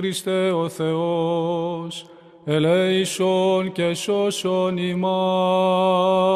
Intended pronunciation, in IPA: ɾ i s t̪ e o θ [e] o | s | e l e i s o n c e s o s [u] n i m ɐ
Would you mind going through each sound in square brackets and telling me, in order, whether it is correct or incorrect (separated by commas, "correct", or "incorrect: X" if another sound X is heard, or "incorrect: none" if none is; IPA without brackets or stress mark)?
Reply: correct, incorrect: o